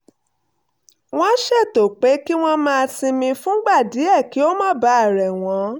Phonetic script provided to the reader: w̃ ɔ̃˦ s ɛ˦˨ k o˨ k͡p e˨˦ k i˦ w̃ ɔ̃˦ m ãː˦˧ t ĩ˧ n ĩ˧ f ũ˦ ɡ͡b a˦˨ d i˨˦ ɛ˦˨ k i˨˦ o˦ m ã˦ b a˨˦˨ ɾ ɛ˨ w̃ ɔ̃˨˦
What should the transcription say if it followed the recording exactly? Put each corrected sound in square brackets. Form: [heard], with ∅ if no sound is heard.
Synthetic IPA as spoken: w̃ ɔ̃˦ [ʃ] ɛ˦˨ [t] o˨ k͡p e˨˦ k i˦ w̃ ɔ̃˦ m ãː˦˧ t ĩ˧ [m] ĩ˧ f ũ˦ ɡ͡b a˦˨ d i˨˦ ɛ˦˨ k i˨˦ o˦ m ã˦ b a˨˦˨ ɾ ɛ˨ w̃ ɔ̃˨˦